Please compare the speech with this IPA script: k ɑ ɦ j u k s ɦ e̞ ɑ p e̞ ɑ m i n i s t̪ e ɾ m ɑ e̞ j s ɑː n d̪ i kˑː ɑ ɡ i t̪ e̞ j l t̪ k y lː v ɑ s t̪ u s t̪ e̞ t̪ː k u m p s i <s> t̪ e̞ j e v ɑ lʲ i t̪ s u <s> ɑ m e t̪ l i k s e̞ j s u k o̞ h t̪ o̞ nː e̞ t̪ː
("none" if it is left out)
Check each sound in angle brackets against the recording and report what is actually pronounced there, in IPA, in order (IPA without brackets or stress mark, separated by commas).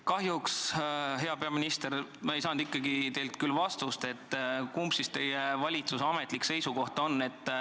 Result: s, s